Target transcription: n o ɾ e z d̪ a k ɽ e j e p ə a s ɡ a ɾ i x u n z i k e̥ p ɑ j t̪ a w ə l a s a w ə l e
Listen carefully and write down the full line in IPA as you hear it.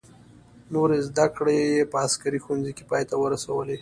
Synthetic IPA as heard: n o ɾ e z d̪ a k ɽ e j e p ə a s k a ɾ i x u n z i k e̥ p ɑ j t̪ a w ə ɾ a s a w ə l e